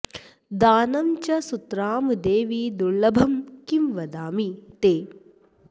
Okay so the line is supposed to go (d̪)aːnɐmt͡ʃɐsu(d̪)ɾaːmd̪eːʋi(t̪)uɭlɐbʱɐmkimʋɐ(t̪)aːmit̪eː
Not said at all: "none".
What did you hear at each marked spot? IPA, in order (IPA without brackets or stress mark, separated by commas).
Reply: d̪, t̪, d̪, d̪